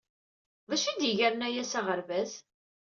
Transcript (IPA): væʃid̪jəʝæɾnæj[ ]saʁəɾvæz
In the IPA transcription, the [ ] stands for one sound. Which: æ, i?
æ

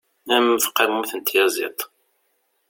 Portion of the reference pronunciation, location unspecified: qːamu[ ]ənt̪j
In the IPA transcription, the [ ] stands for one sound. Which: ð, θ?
θ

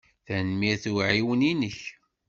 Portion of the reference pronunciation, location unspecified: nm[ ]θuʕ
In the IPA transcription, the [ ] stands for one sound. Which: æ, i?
i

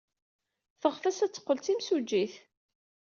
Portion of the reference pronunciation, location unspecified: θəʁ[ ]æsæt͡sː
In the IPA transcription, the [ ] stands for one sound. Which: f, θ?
f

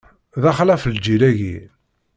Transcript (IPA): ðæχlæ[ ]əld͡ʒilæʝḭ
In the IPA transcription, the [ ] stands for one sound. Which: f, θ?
f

